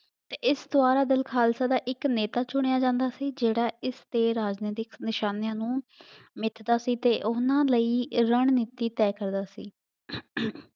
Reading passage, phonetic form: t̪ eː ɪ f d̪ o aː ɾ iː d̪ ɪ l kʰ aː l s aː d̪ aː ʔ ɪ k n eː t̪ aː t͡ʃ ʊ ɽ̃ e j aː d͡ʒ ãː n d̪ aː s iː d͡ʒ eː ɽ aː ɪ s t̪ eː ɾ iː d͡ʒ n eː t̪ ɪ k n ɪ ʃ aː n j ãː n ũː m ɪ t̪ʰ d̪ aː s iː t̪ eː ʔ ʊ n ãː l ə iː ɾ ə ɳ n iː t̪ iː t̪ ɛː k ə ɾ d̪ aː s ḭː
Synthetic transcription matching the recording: t̪ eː ɪ s d̪ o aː ɾ aː d̪ ɪ l kʰ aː l s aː d̪ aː ʔ ɪ k n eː t̪ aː t͡ʃ ʊ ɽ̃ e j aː d͡ʒ ãː n d̪ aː s iː d͡ʒ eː ɽ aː ɪ s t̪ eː ɾ aː d͡ʒ n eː t̪ ɪ k n ɪ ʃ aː n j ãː n ũː m ɪ t̪ʰ d̪ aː s iː t̪ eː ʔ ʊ n ãː l ə iː ɾ ə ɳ n iː t̪ iː t̪ ɛː k ə ɾ d̪ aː s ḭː